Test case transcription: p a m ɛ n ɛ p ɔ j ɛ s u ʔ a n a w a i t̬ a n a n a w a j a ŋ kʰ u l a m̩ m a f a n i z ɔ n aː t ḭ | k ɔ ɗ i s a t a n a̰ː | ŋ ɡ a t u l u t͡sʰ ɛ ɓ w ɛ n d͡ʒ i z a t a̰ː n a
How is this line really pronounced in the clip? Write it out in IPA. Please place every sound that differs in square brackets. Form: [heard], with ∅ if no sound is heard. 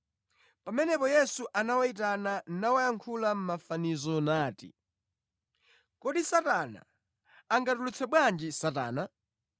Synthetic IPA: p a m ɛ n ɛ p ɔ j ɛ s u ʔ a n a w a i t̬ a n a n a w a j a ŋ kʰ u l a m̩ m a f a n i z ɔ n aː t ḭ | k ɔ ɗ i s a t a n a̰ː | ŋ ɡ a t u l u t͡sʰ ɛ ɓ w [a] n d͡ʒ i [s] a t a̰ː n a

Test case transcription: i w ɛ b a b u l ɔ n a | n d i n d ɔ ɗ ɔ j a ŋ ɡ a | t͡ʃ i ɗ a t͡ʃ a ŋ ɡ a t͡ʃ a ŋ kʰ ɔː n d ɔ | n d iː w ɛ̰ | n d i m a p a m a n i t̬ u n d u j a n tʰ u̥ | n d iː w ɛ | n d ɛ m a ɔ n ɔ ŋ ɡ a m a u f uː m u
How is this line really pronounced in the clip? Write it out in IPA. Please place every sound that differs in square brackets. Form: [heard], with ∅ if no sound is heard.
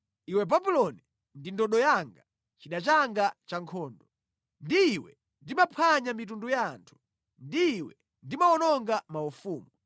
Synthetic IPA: i w ɛ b a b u l ɔ n [i] | n d i n d ɔ ɗ ɔ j a ŋ ɡ a | t͡ʃ i ɗ a t͡ʃ a ŋ ɡ a t͡ʃ a ŋ kʰ ɔː n d ɔ | n d iː w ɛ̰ | n d i m a [pʰ] a [ɲ] a [m] i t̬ u n d u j a n tʰ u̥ | n d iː w ɛ | n d [i] m a ɔ n ɔ ŋ ɡ a m a u f uː m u

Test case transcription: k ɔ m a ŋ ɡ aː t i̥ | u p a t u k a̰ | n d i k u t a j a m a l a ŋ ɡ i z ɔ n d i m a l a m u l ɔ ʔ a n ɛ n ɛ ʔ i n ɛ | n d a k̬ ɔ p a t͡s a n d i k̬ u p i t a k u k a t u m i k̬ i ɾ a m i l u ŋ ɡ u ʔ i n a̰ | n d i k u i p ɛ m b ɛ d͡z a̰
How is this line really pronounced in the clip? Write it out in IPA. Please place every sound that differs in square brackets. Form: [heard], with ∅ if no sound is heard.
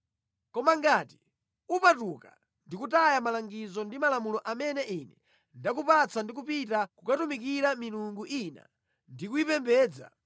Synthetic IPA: k ɔ m a ŋ ɡ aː t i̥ | u p a t u k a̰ | n d i k u t a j a m a l a ŋ ɡ i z ɔ n d i m a l a m u l ɔ ʔ a [m] ɛ n ɛ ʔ i n ɛ | n d a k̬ [u] p a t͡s a n d i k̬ u p i t a k u k a t u m i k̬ i ɾ a m i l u ŋ ɡ u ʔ i n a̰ | n d i k u i p ɛ m b [ɛː] d͡z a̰

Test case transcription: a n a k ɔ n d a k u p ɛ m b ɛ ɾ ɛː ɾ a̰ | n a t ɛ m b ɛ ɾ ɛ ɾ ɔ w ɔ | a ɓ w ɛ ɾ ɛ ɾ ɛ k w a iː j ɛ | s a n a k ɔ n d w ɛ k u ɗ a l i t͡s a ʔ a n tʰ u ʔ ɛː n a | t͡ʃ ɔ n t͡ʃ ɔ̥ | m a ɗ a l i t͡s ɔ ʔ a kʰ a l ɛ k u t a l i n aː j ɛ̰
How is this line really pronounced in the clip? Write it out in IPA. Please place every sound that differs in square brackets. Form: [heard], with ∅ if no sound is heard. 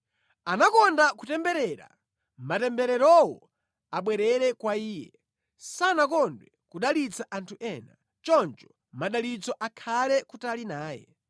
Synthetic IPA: a n a k ɔ n d a k u [t] ɛ m b ɛ ɾ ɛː ɾ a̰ | [m] a t ɛ m b ɛ ɾ ɛ ɾ ɔ w ɔ | a ɓ w ɛ ɾ ɛ ɾ ɛ k w a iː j ɛ | s a n a k ɔ n d w ɛ k u ɗ a l i t͡s a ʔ a n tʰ u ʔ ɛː n a | t͡ʃ ɔ n t͡ʃ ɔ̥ | m a ɗ a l i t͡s ɔ ʔ a kʰ a l ɛ k u t a l i n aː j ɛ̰

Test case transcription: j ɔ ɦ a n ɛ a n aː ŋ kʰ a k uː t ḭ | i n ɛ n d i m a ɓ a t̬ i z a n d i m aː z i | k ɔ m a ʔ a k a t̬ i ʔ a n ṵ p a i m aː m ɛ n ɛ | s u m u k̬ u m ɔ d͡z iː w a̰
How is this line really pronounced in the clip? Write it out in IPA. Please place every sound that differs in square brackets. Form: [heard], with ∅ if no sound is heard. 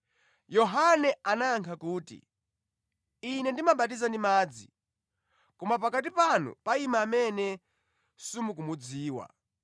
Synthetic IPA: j ɔ ɦ a n ɛ a n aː ŋ kʰ a k uː t ḭ | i n ɛ n d i m a ɓ a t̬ i z a n d i m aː [d͡z] i | k ɔ m a [p] a k a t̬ i [p] a n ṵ p a i m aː m ɛ n ɛ | s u m u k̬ u m [u] d͡z iː w a̰

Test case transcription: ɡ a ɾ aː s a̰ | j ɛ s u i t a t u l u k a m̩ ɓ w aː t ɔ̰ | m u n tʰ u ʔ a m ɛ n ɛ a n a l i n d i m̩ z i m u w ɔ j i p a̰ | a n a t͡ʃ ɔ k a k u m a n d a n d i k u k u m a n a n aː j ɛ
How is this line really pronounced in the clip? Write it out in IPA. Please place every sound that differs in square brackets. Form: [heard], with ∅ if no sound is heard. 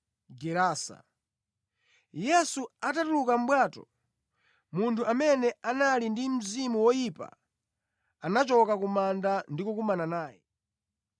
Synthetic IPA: ɡ [ɛ] ɾ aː s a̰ | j ɛ s u [a] t a t u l u k a m̩ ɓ w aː t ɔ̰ | m u n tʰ u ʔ a m ɛ n ɛ a n a l i n d i m̩ z i m u w ɔ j i p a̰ | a n a t͡ʃ ɔ k a k u m a n d a n d i k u k u m a n a n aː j ɛ

